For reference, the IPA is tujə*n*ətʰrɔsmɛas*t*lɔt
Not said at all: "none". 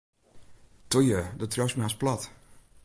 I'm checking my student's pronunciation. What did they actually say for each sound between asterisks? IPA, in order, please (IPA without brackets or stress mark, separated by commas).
d, p